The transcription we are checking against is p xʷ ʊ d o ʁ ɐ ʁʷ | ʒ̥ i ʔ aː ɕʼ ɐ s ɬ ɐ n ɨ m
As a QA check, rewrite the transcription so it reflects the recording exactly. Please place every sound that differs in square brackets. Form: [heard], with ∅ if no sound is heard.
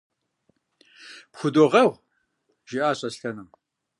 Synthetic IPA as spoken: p xʷ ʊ d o ʁ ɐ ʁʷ | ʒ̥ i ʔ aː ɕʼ ɐ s ɬ ɐ n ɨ m